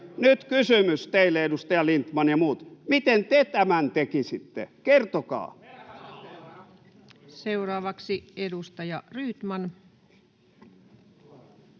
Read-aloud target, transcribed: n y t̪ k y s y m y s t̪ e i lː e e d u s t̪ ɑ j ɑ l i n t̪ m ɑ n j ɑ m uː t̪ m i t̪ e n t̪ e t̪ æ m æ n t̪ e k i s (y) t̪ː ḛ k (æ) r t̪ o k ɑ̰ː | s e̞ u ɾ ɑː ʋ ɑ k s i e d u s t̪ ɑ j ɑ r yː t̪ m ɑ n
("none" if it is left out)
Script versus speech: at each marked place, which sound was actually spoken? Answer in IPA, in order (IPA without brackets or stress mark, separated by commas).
i, e